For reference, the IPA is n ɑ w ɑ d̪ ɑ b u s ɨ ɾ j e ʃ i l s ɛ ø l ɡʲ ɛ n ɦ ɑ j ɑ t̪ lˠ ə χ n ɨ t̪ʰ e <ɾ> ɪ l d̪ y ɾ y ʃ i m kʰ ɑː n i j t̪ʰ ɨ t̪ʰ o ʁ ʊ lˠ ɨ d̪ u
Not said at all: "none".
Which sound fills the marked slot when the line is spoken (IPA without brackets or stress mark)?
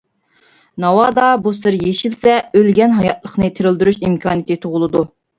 ɾ